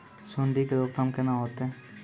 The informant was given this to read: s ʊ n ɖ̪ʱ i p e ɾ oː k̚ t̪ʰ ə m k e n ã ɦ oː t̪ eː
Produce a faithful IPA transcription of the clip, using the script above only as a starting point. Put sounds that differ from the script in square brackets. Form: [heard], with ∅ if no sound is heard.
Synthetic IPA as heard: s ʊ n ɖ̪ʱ i [k] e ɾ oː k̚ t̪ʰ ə m k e n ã ɦ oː t̪ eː

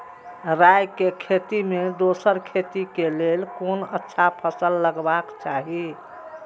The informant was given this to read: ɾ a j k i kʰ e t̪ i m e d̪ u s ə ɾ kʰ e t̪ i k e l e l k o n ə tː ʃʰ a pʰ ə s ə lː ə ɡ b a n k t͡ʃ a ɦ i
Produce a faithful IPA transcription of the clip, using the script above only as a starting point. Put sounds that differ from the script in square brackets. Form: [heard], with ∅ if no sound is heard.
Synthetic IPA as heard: ɾ a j k [e] kʰ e t̪ i m e d̪ [o] s ə ɾ kʰ e t̪ i k e l e l k o n ə tː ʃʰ a pʰ ə s ə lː ə ɡ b a [∅] k t͡ʃ a ɦ i

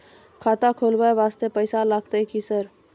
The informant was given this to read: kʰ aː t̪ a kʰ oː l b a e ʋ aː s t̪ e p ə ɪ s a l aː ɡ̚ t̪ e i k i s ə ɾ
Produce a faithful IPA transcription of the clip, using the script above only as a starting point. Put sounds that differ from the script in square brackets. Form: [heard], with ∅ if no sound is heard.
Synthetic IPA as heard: kʰ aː t̪ a kʰ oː l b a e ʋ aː s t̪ e p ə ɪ s a l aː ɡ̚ t̪ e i k i s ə ɾ

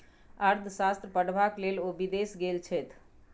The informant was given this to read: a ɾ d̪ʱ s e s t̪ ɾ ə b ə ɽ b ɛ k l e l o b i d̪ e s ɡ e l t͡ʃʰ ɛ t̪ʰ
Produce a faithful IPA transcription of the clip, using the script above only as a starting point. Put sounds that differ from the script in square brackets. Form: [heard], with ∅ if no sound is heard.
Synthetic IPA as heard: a ɾ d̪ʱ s [a] s t̪ ɾ ə [p] ə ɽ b [a] k l e l o b i d̪ e s ɡ e l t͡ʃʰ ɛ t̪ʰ

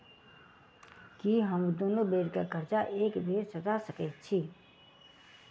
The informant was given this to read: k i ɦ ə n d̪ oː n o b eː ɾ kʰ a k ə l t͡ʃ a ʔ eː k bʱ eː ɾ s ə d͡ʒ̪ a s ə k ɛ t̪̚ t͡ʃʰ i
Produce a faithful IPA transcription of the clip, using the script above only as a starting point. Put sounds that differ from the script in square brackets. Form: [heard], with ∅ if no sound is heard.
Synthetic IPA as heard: k i ɦ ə [m] d̪ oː n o b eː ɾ [k] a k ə [ɾ] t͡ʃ a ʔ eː k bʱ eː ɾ s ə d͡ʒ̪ a s ə k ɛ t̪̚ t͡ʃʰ i

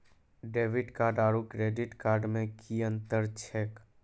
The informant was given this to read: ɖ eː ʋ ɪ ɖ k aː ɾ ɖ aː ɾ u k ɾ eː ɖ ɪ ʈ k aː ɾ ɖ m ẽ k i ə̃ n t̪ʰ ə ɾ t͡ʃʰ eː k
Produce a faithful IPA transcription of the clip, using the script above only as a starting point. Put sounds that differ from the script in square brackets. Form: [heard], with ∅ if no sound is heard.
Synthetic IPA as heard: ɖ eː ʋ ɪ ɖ k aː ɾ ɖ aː ɾ u k ɾ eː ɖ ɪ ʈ k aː ɾ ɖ m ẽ k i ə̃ n [t̪] ə ɾ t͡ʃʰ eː k

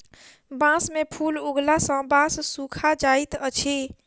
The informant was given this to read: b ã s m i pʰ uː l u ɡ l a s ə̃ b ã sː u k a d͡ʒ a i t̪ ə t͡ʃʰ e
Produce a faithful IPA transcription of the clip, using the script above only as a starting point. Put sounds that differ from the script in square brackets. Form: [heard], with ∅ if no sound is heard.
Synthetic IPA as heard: b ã s m [e] pʰ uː l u ɡ l a s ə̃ b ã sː u [kʰ] a d͡ʒ a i t̪ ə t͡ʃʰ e

